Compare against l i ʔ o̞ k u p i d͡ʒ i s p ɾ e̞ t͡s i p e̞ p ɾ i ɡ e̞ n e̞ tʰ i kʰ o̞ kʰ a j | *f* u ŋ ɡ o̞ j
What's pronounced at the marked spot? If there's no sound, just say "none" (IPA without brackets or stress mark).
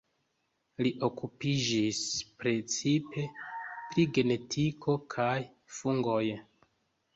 f